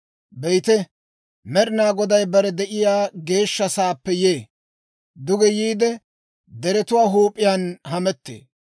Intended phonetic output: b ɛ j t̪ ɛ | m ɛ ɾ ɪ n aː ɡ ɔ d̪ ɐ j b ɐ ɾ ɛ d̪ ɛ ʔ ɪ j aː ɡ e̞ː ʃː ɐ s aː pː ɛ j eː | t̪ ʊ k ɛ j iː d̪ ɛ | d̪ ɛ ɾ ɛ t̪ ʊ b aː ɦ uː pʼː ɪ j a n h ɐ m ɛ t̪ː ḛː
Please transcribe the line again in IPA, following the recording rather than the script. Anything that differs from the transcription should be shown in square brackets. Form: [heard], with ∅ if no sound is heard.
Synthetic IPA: b ɛ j t̪ ɛ | m ɛ ɾ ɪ n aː ɡ ɔ d̪ ɐ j b ɐ ɾ ɛ d̪ ɛ ʔ ɪ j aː ɡ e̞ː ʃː ɐ s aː pː ɛ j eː | [d̪] ʊ [ɡ] ɛ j iː d̪ ɛ | d̪ ɛ ɾ ɛ t̪ ʊ [w] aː ɦ uː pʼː ɪ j a n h ɐ m ɛ t̪ː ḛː